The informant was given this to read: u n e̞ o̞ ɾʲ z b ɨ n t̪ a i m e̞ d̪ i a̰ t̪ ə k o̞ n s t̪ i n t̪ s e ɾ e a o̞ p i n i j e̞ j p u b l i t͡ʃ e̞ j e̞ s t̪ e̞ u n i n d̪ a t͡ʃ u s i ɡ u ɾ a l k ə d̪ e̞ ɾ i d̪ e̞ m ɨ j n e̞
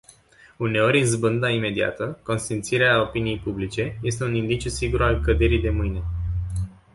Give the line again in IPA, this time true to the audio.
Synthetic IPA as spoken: u n e̞ o̞ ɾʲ z b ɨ n d̪ a i m e̞ d̪ i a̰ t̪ ə k o̞ n s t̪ i n t̪ s i ɾ e a o̞ p i n i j e̞ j p u b l i t͡ʃ e̞ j e̞ s t̪ e̞ u n i n d̪ i t͡ʃ u s i ɡ u ɾ a l k ə d̪ e̞ ɾ i d̪ e̞ m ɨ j n e̞